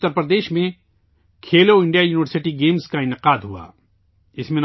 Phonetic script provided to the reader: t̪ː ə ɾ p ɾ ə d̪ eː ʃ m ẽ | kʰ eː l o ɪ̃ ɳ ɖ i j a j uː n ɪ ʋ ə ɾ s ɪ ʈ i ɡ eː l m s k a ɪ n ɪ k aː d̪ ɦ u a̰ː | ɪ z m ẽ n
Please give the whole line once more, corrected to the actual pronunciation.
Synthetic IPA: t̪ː ə ɾ p ɾ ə d̪ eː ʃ m ẽ | kʰ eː l o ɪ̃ ɳ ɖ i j a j uː n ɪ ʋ ə ɾ s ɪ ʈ i ɡ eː m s k a ɪ n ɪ q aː d̪ ɦ u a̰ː | ɪ s m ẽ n